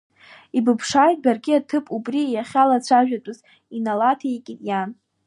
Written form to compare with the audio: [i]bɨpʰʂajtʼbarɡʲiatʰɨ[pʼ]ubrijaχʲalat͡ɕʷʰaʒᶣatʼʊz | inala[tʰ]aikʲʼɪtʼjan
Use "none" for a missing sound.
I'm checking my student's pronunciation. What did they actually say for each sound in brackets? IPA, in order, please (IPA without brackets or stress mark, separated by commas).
i, pʼ, tʰ